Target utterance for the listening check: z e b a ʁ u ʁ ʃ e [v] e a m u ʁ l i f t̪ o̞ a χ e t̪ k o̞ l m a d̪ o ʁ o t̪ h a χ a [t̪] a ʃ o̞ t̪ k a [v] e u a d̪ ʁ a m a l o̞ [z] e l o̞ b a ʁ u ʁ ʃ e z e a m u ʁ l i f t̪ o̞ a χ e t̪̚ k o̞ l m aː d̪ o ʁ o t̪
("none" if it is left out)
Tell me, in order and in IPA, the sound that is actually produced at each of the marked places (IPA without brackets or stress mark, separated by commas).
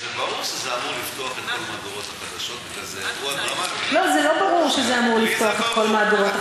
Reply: z, d̪, z, z